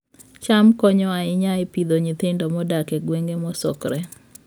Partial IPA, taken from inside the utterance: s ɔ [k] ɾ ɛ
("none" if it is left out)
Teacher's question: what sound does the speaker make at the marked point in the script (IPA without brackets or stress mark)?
k